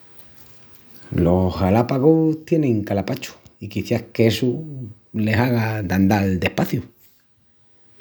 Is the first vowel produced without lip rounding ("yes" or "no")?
no